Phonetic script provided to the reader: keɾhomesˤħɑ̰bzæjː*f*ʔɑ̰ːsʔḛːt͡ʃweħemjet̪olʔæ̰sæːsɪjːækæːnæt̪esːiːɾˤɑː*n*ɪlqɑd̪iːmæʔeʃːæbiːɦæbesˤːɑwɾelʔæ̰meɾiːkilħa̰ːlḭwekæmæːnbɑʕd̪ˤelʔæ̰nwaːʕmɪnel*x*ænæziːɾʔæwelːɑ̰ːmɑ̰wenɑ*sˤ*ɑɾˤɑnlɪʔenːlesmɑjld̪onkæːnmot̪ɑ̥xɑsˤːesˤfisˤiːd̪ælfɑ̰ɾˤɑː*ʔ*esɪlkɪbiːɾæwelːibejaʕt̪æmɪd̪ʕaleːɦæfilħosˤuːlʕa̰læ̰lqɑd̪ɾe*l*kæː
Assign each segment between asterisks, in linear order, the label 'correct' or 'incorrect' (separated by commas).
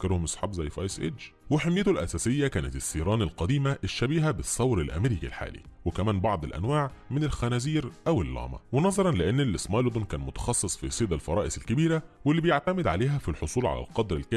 correct, correct, correct, incorrect, correct, correct